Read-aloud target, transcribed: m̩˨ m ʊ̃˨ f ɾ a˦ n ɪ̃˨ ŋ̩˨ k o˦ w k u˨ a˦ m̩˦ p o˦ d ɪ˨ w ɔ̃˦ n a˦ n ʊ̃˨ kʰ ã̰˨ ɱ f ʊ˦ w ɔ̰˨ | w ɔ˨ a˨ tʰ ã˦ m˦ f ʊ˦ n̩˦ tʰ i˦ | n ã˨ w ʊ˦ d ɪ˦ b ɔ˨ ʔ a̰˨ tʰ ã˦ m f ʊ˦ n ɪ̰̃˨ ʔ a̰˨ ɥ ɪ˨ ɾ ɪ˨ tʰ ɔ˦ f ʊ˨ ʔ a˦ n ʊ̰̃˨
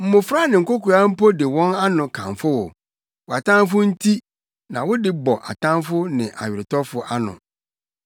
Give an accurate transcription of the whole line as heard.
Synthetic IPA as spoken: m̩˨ m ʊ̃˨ f ɾ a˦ n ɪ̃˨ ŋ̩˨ k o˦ k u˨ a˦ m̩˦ p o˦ d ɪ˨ w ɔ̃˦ n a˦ n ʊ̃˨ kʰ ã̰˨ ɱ f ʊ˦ w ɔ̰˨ | w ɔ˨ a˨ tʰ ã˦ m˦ f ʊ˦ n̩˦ tʰ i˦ | n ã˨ w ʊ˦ d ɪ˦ b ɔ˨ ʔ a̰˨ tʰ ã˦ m f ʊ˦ n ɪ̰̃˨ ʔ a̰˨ ɥ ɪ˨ ɾ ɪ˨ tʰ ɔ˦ f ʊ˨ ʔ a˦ n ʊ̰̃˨

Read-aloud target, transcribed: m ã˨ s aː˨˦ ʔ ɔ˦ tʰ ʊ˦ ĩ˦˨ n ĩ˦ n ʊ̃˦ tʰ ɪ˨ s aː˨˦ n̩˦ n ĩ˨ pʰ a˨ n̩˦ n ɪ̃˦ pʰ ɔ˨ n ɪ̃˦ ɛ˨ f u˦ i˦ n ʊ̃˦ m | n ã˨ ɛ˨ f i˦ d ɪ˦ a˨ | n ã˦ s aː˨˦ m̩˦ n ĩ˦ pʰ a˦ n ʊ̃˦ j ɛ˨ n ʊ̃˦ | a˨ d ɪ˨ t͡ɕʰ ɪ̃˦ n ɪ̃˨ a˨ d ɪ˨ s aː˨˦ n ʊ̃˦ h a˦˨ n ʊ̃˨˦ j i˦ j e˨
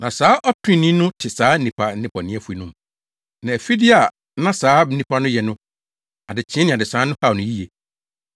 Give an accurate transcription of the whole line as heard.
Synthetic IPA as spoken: n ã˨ s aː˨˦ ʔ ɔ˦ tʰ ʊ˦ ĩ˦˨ n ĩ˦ n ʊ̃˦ tʰ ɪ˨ s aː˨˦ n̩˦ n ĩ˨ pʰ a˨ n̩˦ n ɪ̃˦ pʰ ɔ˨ n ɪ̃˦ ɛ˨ f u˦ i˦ n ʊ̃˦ m | n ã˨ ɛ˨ f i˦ d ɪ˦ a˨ | n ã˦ s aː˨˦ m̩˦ n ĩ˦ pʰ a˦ n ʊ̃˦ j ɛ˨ n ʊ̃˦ | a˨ d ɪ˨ t͡ɕʰ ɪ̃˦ n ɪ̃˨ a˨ d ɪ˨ s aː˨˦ n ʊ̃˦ h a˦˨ n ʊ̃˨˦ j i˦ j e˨

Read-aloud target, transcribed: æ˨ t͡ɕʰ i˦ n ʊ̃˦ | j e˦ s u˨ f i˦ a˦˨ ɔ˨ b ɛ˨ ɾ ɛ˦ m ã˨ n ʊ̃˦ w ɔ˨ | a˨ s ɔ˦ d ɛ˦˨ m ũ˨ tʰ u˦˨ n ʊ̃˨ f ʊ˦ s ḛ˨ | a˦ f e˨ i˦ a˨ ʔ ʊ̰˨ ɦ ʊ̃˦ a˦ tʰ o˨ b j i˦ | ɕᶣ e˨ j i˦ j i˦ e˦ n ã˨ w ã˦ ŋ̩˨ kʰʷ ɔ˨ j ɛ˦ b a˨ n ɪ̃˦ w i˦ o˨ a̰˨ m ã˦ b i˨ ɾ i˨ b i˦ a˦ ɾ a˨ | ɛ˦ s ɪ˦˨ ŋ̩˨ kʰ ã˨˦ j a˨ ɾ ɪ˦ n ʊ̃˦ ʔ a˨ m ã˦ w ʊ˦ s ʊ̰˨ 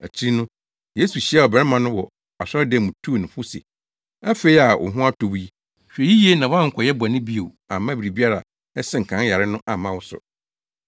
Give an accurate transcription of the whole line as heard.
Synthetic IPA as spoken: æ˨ t͡ɕʰ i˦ n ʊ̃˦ | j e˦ s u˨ ɕ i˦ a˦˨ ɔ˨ b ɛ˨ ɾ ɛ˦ m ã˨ n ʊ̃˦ w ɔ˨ | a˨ s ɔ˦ d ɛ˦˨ m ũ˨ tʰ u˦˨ n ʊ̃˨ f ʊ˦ s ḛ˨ | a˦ f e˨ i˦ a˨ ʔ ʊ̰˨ ɦ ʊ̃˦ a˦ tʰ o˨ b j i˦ | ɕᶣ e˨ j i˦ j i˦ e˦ n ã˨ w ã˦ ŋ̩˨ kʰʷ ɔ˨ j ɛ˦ b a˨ n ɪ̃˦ b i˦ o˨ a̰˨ m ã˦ b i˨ ɾ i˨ b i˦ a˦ ɾ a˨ | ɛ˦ s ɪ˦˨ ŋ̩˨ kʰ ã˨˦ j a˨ ɾ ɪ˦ n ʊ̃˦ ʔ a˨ m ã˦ w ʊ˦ s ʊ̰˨

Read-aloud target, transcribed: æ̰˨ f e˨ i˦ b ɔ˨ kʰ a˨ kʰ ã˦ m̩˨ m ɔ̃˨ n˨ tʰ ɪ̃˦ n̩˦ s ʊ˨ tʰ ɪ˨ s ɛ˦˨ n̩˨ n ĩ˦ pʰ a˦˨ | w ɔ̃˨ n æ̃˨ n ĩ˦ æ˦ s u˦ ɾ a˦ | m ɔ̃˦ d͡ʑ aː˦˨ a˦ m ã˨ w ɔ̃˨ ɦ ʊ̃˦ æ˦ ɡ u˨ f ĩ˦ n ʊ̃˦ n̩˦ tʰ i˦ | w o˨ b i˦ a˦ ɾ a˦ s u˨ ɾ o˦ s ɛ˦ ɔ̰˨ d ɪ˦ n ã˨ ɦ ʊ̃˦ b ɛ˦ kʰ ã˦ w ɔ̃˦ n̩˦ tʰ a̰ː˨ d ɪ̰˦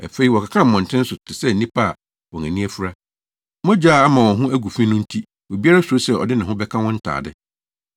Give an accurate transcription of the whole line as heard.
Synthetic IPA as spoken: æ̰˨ f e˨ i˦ w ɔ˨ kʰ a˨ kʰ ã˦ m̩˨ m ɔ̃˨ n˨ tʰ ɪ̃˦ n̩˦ s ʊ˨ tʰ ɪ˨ s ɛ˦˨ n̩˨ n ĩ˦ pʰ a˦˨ | w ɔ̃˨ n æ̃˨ n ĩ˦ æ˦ f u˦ ɾ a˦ | m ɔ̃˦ d͡ʑ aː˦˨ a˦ m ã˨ w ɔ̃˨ ɦ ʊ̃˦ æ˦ ɡ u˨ f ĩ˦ n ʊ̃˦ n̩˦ tʰ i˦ | w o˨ b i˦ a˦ ɾ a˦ s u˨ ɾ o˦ s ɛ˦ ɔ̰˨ d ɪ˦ n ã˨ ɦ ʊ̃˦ b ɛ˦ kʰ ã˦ w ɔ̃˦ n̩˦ tʰ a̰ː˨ d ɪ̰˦

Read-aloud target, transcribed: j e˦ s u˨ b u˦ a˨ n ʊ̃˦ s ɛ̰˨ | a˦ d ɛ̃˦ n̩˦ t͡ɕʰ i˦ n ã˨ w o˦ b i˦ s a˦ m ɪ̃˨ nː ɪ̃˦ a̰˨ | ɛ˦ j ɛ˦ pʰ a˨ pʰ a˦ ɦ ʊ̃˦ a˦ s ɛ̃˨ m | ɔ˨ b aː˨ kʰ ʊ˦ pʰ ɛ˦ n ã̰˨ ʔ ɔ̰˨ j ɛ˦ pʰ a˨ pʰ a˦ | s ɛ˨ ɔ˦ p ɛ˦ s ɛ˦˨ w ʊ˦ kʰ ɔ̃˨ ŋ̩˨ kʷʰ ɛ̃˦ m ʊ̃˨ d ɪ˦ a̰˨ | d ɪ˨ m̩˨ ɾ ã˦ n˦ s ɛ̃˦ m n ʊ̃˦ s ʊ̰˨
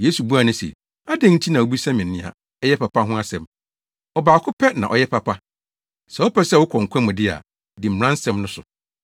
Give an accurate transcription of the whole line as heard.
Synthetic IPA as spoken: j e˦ s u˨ b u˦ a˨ n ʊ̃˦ s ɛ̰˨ | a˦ d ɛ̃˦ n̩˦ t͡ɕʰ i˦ n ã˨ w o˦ b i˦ s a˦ m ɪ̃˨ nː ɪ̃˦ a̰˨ | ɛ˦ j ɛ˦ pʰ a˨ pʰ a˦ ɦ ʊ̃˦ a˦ s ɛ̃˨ m | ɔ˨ b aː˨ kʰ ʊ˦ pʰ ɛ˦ n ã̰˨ ʔ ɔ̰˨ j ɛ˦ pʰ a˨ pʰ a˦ | s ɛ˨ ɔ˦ p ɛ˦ s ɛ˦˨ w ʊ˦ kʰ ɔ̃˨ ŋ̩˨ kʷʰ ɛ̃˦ m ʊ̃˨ d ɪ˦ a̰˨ | d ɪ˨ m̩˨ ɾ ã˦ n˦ s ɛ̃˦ m n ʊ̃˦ s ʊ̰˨

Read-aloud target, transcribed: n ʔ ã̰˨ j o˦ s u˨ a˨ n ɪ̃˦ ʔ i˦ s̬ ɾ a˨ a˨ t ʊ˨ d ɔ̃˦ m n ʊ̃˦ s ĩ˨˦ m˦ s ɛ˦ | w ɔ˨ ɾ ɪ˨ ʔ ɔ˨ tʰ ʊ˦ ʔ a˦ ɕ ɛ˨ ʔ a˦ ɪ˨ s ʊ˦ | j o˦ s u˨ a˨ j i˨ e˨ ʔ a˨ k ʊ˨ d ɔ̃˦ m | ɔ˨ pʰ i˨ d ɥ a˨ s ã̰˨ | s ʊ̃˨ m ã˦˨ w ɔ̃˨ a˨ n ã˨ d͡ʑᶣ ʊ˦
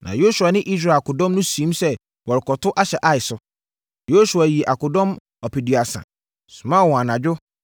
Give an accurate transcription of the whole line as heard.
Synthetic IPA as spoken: n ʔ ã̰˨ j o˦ s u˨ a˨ n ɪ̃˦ ʔ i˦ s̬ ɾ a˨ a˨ k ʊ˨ d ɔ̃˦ m n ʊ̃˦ s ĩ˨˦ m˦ s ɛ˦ | w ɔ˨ ɾ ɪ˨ k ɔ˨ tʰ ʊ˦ ʔ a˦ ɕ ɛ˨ ʔ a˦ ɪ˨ s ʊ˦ | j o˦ s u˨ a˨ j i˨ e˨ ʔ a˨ k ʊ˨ d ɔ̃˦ m | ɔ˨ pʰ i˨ d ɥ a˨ s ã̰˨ | s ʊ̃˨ m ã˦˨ w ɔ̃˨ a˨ n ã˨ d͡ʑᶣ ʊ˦

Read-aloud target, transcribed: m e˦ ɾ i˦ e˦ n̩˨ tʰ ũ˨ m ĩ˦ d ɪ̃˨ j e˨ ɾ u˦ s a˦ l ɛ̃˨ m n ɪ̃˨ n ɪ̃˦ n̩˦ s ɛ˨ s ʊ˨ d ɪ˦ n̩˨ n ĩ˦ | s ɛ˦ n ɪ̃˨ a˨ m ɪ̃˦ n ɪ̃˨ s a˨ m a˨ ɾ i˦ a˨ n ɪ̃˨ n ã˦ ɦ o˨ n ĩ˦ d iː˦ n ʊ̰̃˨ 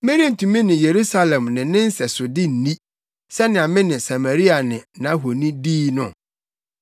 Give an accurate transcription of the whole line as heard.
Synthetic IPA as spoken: m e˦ ɾ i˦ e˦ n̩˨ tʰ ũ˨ m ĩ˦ n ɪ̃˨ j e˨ ɾ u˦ s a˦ l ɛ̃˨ m n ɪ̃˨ n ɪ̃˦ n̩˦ s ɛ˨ s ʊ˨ d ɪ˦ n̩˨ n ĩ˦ | s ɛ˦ n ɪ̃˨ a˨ m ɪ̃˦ n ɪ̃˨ s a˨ m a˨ ɾ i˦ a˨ n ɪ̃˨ n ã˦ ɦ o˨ n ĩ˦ d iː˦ n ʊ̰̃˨

